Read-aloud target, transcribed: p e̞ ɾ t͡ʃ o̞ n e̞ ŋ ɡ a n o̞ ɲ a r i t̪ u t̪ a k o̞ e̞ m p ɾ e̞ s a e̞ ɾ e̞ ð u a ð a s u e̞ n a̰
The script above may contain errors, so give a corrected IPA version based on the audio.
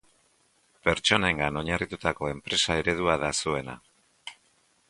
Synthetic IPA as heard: p e̞ ɾ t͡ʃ o̞ n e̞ ŋ ɡ a n o̞ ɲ a r i t̪ u t̪ a k o̞ e̞ m p ɾ e̞ s a e̞ ɾ e̞ ð u a ð a s u e̞ n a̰